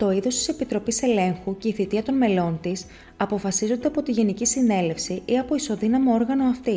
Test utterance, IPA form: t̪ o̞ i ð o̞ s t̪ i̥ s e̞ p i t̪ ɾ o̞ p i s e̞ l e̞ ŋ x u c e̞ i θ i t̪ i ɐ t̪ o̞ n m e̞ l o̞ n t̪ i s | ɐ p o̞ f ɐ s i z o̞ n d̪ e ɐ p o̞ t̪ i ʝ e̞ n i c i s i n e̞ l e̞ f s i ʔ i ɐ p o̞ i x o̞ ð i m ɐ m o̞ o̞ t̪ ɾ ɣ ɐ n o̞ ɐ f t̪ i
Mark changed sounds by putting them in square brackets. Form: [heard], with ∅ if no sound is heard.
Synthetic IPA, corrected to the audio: t̪ o̞ i ð o̞ s t̪ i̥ s e̞ p i t̪ ɾ o̞ p i s e̞ l e̞ ŋ x u c e̞ i θ i t̪ i ɐ t̪ o̞ n m e̞ l o̞ n t̪ i s | ɐ p o̞ f ɐ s i z o̞ n d̪ e ɐ p o̞ t̪ i ʝ e̞ n i c i s i n e̞ l e̞ f s i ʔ i ɐ p o̞ i [s] o̞ ð i [n] ɐ m o̞ o̞ [∅] ɾ ɣ ɐ n o̞ ɐ f t̪ i